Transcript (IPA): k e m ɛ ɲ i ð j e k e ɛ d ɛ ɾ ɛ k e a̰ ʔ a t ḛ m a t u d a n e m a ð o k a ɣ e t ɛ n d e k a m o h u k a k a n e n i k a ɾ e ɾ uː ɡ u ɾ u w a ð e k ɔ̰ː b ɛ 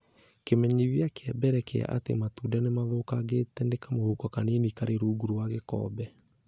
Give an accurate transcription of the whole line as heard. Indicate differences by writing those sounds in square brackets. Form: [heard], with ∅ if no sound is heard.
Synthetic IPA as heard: k e m ɛ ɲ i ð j [a] k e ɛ [b] ɛ ɾ ɛ k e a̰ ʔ a t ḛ m a t u d a n e m a ð o k a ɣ e t ɛ n d e k a m o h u k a k a n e n i k a ɾ e ɾ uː ɡ u ɾ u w a [ɣ] e k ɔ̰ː b ɛ